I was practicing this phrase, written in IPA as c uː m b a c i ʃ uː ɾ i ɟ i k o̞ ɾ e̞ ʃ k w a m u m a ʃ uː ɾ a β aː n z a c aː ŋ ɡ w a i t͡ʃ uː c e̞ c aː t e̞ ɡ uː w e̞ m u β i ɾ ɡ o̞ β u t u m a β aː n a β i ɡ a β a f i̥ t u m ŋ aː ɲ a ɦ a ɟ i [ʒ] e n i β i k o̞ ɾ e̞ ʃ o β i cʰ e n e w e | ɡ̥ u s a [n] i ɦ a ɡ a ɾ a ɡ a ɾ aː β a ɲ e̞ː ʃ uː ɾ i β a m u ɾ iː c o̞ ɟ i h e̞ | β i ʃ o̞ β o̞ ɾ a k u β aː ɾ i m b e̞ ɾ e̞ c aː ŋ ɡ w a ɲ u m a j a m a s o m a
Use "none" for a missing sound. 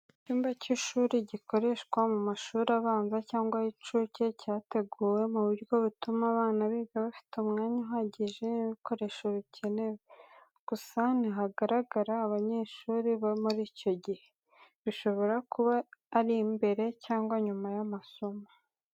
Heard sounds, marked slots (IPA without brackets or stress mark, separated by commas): ʒ, n